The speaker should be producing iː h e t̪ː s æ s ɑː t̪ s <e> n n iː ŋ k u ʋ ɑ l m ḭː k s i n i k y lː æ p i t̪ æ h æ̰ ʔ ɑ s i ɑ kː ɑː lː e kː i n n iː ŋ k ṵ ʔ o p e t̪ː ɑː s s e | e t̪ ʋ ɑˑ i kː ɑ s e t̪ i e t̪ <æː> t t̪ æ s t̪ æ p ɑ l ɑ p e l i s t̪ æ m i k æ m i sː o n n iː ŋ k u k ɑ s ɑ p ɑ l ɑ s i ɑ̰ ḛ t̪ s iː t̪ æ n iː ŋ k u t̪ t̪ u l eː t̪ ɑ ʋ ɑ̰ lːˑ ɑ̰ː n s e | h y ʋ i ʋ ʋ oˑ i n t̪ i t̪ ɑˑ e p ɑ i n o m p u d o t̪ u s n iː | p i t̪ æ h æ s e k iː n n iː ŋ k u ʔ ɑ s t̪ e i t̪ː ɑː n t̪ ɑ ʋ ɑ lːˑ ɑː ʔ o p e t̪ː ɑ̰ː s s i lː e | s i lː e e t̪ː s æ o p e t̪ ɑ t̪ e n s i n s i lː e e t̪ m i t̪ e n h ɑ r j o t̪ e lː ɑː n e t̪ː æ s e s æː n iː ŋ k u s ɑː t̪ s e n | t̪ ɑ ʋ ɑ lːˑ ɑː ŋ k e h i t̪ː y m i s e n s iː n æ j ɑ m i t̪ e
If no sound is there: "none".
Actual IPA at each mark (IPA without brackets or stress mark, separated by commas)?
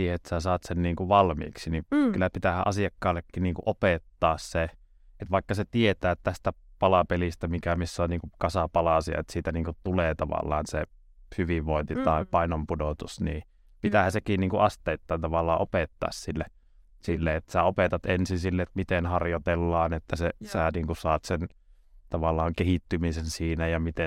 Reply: e, æː